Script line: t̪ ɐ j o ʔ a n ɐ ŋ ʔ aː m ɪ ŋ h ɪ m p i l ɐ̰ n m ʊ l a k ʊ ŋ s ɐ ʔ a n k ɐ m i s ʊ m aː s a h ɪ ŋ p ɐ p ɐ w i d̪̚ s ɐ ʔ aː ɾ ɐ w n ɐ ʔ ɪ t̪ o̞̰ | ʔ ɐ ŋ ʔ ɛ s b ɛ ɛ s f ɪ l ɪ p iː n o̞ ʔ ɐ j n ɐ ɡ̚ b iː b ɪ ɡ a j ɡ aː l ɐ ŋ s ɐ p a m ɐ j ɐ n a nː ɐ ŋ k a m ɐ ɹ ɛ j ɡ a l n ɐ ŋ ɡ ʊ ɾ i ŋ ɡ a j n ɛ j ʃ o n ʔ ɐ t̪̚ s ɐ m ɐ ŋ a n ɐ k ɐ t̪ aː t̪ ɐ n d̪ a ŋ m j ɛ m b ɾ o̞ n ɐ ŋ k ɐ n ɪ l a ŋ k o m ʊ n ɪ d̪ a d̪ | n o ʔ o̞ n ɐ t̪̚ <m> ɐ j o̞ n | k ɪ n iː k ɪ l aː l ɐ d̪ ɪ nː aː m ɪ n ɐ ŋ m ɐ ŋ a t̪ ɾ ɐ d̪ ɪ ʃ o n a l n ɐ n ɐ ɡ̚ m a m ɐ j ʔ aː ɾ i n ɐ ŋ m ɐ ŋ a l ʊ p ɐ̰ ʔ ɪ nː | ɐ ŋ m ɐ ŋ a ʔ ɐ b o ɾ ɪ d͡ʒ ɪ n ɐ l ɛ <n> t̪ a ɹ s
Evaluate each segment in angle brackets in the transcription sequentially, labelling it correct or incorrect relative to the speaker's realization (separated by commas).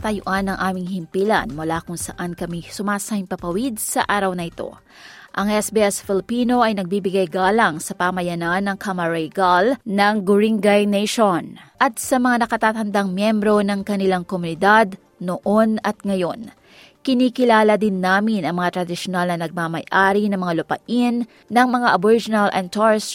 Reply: incorrect, correct